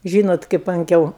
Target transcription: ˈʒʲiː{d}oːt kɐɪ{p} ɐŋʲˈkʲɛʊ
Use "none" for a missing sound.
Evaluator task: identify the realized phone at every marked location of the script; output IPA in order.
n, p

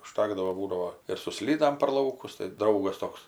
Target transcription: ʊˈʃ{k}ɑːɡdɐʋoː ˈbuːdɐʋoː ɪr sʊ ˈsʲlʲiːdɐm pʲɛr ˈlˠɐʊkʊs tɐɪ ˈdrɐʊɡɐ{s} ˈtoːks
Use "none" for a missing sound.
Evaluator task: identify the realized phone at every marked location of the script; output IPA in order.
t, s

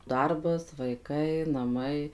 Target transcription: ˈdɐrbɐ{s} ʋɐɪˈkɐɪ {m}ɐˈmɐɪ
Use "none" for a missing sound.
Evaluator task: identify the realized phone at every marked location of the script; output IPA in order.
s, n

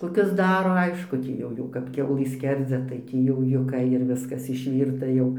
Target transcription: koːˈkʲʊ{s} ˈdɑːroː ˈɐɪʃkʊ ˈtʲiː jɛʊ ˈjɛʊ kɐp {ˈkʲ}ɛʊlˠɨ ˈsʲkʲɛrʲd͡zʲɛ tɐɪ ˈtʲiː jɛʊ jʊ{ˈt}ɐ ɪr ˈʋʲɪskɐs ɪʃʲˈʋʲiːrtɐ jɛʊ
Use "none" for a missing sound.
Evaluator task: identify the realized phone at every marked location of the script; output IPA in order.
s, kʲ, k

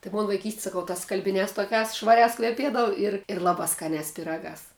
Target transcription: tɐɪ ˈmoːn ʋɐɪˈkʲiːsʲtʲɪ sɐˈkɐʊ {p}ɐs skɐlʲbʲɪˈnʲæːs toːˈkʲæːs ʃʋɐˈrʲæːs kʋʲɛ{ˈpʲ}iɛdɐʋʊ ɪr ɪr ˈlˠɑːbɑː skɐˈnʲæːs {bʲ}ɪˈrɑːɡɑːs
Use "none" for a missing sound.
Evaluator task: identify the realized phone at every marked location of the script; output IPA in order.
t, pʲ, pʲ

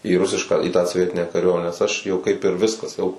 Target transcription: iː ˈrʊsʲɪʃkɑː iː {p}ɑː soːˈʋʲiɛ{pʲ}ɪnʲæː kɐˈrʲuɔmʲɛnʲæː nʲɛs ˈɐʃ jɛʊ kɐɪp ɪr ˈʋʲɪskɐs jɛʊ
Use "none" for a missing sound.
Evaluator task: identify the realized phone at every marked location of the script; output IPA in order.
t, tʲ

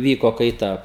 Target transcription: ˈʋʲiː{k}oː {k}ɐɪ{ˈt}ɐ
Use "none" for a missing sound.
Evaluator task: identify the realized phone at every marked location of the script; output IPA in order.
k, k, t

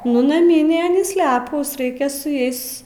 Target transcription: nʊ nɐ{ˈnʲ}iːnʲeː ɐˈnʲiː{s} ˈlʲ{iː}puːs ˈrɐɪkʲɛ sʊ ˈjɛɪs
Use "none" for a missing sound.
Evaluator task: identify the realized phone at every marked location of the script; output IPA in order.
mʲ, s, æː

